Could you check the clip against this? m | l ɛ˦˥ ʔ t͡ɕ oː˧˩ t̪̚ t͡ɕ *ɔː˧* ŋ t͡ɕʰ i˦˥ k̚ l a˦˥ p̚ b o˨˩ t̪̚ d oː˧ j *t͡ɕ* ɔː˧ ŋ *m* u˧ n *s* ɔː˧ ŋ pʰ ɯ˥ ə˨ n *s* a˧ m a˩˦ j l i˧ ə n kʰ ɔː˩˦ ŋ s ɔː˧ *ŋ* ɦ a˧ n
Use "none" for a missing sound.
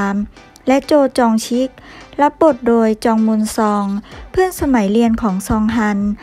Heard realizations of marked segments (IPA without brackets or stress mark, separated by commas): ɔː˧, t͡ɕ, m, s, s, ŋ